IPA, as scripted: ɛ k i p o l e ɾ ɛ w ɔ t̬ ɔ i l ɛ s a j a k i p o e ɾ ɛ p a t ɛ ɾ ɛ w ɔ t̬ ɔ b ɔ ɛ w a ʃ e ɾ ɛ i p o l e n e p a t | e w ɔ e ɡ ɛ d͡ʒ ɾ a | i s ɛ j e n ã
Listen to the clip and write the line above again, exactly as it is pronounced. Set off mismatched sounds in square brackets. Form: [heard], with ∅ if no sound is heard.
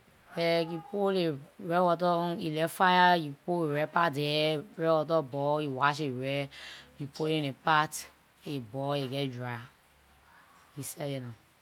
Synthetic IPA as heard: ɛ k i p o l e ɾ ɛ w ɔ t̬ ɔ i l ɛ [f] a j a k i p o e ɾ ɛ p a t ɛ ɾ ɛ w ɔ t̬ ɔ b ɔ [i] w a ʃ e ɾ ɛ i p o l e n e p a t | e [b] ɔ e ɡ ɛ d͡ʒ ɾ a | i s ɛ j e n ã